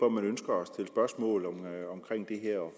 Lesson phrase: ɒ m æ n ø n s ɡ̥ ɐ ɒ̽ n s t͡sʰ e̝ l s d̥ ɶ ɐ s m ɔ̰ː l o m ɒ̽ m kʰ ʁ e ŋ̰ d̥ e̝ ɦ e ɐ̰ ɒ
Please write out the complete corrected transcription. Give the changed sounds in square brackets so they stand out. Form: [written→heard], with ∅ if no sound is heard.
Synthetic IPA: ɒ m æ n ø n s ɡ̥ ɐ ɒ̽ [n→∅] s t͡sʰ e̝ l s [d̥→b̥] ɶ ɐ s m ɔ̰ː l [o→ɒ] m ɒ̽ m kʰ ʁ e ŋ̰ d̥ e̝ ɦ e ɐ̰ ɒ